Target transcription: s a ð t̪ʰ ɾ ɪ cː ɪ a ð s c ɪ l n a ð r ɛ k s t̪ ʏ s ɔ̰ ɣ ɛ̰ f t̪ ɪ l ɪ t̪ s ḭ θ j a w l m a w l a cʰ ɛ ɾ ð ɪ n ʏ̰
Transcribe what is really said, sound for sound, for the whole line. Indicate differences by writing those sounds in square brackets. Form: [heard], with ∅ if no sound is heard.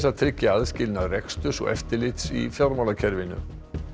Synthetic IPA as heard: s a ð t̪ʰ ɾ ɪ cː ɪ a ð s c ɪ l n a ð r ɛ k s t̪ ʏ s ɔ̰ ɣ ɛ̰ f t̪ ɪ l ɪ t̪ s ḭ [f] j a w [ɾ] m a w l a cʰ ɛ ɾ [v] ɪ n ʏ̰